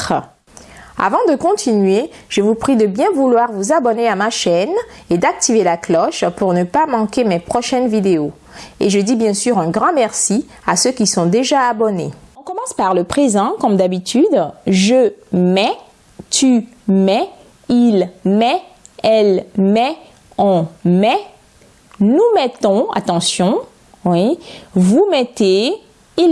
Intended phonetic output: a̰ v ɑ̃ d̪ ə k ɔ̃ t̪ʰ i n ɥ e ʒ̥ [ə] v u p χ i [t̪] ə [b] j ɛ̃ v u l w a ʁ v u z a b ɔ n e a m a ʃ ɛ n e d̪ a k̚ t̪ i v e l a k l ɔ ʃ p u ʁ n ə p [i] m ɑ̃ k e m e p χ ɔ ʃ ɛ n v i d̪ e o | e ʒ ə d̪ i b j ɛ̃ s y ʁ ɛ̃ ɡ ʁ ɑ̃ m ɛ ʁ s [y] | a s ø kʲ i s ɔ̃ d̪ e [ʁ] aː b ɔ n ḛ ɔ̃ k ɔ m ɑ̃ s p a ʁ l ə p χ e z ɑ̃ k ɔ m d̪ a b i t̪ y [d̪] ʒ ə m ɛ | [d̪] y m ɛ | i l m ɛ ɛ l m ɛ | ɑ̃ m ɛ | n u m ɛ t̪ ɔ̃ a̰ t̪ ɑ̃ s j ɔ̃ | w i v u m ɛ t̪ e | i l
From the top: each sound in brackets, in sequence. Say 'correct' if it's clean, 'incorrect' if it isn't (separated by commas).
correct, incorrect, correct, incorrect, incorrect, incorrect, correct, incorrect